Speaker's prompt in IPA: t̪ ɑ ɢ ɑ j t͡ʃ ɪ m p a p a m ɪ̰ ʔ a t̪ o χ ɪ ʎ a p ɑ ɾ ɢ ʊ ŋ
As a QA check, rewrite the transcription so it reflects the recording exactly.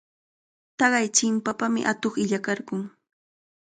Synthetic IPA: t̪ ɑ ɢ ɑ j t͡ʃ ɪ m p a p a m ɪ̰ ʔ a t̪ o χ ɪ ʎ a k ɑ ɾ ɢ ʊ ŋ